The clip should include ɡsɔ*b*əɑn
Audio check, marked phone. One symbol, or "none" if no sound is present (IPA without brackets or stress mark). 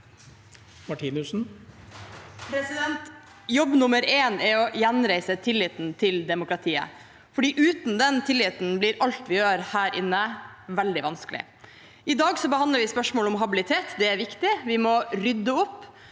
b